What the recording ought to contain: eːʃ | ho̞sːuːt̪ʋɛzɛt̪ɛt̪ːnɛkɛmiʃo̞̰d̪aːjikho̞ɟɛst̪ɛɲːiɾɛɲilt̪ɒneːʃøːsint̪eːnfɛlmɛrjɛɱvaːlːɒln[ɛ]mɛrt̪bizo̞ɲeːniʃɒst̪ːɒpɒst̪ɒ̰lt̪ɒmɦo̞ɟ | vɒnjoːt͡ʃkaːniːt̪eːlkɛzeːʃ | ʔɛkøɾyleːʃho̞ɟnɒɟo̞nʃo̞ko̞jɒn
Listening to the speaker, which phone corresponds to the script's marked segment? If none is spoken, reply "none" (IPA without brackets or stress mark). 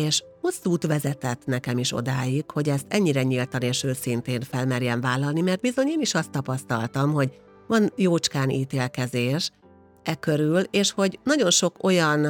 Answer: i